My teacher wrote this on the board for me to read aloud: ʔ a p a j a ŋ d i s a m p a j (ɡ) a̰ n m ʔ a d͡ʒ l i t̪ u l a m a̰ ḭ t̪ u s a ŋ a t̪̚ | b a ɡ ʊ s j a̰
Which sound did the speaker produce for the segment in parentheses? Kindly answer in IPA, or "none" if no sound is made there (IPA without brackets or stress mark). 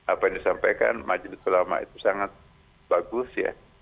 k